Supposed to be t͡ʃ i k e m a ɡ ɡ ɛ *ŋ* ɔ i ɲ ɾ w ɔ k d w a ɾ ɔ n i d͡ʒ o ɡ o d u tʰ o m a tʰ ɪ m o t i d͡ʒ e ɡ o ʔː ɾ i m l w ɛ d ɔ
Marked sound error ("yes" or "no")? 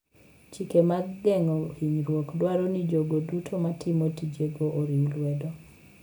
no